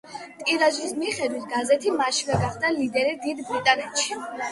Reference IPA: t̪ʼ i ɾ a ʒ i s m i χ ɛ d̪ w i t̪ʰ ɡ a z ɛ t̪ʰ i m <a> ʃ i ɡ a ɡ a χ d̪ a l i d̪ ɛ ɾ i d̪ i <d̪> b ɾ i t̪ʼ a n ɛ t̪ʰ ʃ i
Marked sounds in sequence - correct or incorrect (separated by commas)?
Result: correct, correct